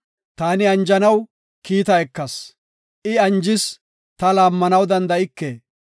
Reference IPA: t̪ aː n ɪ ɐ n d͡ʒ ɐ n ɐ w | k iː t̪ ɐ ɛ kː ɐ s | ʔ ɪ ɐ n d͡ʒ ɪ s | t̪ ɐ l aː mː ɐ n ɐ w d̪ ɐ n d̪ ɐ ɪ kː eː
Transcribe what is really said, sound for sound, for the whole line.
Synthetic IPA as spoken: t̪ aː n ɪ ɐ n d͡ʒ ɐ n ɐ w | k iː t̪ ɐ ɛ kː ɐ s | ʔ ɪ ɐ n d͡ʒ ɪ s | t̪ ɐ l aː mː ɐ n ɐ w d̪ ɐ n d̪ ɐ ɪ kː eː